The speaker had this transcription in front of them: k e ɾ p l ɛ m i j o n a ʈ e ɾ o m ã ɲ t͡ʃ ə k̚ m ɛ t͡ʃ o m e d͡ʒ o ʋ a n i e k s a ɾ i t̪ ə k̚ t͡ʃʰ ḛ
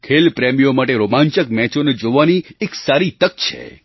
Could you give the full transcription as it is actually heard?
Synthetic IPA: kʰ e l p ɾ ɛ m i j o m a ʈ e ɾ o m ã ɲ t͡ʃ ə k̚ m ɛ t͡ʃ o n e d͡ʒ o ʋ a n i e k s a ɾ i t̪ ə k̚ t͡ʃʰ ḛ